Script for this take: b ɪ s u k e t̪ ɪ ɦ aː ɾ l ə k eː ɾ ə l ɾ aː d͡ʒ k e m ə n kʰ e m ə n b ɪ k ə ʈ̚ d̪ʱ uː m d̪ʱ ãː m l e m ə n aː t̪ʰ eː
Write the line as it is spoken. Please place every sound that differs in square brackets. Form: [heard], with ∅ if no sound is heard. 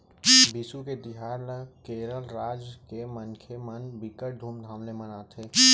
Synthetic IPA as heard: b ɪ s u k e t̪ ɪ ɦ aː ɾ l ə k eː ɾ ə l ɾ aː d͡ʒ k e m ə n kʰ e m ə n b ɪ k ə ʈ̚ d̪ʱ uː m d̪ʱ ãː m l e m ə n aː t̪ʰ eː